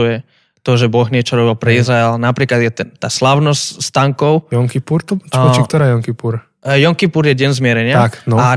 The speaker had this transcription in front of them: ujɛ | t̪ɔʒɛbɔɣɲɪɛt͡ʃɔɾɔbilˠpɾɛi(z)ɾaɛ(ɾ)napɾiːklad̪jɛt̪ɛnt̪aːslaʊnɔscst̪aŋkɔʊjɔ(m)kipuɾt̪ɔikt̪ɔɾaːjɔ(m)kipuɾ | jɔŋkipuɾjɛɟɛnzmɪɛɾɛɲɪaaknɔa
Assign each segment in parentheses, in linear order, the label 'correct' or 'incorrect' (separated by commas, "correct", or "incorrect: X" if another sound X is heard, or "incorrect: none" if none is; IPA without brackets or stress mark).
correct, incorrect: l, incorrect: ŋ, incorrect: ŋ